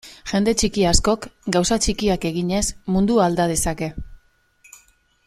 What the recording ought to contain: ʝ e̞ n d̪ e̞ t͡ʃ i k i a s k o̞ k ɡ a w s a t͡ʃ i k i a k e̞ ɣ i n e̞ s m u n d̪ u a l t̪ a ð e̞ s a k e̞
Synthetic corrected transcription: ʝ e̞ n d̪ e̞ t͡ʃ i k i a s k o̞ k ɡ a w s a t͡ʃ i k i a k e̞ ɣ i ɲ e̞ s m u n d̪ u a l d̪ a ð e̞ s a k e̞